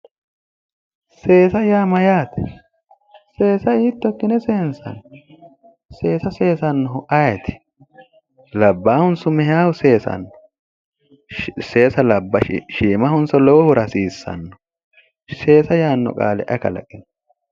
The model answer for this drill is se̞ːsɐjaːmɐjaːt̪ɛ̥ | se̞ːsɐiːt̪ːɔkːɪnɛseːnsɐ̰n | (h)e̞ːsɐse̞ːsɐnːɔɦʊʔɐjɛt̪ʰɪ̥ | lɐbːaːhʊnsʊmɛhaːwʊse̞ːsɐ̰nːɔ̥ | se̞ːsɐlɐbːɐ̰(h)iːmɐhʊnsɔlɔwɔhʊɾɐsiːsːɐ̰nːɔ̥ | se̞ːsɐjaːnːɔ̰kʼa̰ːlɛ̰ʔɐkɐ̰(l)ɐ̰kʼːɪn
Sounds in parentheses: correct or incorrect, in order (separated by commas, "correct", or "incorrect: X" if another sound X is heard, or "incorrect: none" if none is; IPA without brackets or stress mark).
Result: incorrect: s, incorrect: ʃ, correct